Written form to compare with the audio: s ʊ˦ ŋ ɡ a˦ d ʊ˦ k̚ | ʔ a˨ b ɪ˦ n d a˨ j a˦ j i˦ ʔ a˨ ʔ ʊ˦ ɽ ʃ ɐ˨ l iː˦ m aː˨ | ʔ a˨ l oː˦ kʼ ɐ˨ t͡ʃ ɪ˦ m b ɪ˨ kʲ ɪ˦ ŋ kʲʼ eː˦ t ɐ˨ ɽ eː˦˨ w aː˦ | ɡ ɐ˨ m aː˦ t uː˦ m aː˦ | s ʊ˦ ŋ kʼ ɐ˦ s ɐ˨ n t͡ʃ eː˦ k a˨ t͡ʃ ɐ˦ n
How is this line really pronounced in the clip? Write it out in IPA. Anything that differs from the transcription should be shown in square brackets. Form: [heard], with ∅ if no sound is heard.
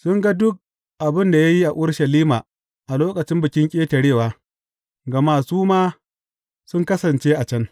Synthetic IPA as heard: s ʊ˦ ŋ ɡ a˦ d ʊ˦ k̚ | ʔ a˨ b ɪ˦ n d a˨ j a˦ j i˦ ʔ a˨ ʔ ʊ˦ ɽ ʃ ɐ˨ l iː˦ m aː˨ | ʔ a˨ l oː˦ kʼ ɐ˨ t͡ʃ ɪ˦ m b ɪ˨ kʲ ɪ˦ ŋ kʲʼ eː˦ t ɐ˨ ɽ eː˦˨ w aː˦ | ɡ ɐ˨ m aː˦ [s] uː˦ m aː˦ | s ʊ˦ ŋ [k] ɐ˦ s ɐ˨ n t͡ʃ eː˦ [ʔ] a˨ t͡ʃ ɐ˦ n